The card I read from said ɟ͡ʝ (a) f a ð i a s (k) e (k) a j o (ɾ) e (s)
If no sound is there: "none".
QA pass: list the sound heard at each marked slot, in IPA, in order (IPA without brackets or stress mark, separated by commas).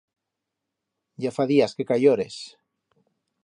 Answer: a, k, k, ɾ, s